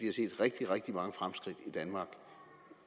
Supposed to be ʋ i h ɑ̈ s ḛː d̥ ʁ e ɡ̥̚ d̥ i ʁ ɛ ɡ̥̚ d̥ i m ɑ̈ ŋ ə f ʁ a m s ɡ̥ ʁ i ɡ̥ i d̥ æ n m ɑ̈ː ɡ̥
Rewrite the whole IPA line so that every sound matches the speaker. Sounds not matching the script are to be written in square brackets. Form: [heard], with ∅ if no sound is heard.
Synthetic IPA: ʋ i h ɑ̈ s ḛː d̥ ʁ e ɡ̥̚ d̥ i ʁ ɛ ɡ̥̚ d̥ i m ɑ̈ ŋ ə f ʁ a m s ɡ̥ ʁ i [d̥] i d̥ æ n m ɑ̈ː ɡ̥